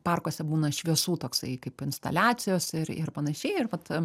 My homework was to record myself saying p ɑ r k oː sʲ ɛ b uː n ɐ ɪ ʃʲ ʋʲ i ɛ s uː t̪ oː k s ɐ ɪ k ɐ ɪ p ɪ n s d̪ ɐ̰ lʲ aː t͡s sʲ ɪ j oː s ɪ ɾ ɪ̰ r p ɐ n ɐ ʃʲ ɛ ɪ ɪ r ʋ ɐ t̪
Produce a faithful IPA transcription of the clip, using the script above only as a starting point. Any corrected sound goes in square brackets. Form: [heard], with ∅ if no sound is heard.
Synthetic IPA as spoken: p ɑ r k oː sʲ ɛ b uː n ɐ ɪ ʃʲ ʋʲ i ɛ s uː t̪ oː k s ɐ ɪ k ɐ ɪ p ɪ n s [t̪] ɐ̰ lʲ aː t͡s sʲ ɪ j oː s ɪ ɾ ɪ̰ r p ɐ n ɐ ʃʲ ɛ ɪ ɪ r ʋ ɐ t̪